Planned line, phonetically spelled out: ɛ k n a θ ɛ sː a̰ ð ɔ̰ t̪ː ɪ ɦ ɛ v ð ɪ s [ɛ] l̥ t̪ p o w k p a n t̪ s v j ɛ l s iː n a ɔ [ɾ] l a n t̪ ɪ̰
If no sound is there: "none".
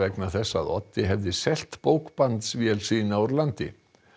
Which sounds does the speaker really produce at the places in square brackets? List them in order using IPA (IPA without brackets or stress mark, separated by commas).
ɛ, ɾ